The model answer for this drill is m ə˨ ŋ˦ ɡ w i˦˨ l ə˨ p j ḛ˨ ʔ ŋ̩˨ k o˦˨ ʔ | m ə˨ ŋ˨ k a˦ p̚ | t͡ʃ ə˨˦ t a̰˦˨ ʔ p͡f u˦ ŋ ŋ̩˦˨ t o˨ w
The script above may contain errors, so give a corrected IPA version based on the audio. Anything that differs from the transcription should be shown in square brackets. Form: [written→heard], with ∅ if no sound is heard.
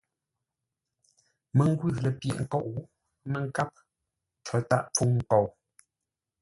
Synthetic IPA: m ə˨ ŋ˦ ɡ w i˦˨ l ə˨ p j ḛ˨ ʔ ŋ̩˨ k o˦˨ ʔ | m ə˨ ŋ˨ k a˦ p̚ | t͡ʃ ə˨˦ t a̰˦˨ ʔ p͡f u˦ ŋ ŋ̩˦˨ [t→k] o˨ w